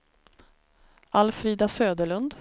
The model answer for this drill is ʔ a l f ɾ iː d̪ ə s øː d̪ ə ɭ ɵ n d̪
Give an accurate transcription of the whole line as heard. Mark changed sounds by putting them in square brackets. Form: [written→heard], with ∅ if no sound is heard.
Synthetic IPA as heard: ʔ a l f ɾ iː d̪ [ə→a] s øː d̪ ə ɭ ɵ n d̪